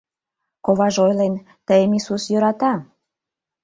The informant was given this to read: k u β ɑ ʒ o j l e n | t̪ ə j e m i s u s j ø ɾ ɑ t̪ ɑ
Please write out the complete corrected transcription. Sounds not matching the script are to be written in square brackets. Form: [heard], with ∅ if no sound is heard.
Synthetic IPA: k [o] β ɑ ʒ o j l e n | t̪ ə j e m i s u s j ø ɾ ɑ t̪ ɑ